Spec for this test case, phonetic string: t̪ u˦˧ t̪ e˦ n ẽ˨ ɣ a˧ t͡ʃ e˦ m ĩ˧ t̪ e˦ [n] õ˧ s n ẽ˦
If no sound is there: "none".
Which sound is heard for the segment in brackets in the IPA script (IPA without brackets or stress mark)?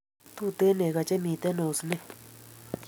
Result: n